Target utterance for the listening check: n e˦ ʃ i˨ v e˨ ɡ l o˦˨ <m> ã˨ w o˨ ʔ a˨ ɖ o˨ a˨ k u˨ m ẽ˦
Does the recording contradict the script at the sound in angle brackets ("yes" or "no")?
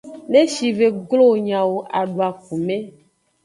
yes